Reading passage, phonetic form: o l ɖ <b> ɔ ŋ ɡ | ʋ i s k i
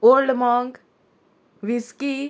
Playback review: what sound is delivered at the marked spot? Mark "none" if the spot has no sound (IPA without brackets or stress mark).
m